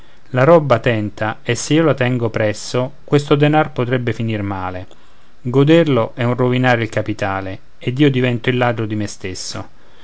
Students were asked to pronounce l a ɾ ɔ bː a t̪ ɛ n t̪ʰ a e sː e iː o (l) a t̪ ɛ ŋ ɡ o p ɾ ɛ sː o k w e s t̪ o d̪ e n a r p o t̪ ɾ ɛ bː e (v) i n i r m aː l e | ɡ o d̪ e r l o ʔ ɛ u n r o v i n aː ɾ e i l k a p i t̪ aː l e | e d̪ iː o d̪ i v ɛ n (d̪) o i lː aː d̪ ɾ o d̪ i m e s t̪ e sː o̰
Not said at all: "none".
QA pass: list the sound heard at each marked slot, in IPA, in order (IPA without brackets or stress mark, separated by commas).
l, f, t̪